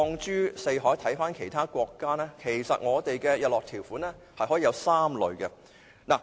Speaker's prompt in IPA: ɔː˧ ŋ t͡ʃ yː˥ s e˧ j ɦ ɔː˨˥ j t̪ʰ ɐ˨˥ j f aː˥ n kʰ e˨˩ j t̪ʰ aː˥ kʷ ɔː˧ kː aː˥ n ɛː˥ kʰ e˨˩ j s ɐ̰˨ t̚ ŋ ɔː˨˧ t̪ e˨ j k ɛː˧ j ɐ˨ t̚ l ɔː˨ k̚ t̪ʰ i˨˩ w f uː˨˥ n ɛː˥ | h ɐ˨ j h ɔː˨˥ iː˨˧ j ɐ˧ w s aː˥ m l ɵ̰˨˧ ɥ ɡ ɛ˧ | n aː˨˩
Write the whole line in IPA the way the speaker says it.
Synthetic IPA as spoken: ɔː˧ ŋ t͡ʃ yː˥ s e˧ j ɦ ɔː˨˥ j t̪ʰ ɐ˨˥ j f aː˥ n kʰ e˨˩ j t̪ʰ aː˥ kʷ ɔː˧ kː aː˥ n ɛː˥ kʰ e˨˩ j s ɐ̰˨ t̚ ŋ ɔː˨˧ t̪ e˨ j k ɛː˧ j ɐ˨ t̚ l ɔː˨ k̚ t̪ʰ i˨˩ w f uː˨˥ n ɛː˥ | h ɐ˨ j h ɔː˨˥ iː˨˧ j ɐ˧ w s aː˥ m l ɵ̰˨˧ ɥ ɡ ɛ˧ | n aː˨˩